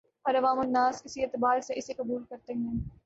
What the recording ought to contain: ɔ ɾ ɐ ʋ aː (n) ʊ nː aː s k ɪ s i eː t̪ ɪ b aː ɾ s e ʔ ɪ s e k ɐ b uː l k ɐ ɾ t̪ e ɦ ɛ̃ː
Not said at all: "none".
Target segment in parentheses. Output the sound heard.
m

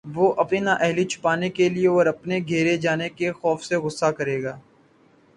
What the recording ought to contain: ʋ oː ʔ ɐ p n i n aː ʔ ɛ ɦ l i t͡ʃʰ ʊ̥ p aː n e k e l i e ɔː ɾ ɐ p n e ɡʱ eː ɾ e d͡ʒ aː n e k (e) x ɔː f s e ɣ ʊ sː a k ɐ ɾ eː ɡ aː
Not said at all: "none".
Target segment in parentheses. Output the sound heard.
e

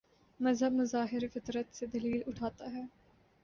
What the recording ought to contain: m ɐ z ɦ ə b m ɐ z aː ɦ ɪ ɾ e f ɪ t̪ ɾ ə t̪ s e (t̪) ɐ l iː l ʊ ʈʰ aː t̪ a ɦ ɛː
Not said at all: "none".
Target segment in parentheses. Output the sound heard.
d̪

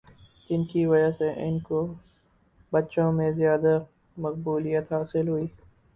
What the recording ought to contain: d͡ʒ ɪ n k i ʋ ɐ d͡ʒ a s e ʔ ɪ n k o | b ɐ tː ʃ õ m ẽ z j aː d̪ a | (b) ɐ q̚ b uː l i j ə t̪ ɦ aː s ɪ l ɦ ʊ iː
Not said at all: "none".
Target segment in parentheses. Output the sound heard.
m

